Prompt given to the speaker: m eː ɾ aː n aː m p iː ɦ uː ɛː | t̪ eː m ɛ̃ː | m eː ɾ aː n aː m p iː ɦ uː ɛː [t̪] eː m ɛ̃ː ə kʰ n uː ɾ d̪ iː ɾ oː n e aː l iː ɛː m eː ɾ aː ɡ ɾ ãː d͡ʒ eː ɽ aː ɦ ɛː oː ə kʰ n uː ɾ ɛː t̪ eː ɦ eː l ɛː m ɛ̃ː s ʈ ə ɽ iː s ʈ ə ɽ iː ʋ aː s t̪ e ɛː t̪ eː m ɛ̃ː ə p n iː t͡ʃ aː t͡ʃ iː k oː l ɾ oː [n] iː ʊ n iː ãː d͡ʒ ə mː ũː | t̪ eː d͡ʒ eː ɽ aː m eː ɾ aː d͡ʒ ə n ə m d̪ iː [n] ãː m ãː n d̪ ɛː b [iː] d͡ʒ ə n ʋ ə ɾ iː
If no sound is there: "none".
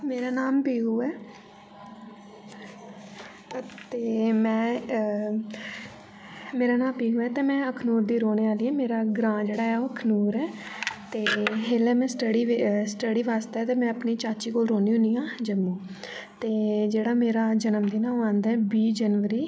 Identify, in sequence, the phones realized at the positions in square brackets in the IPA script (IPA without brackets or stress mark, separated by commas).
t̪, n, n, iː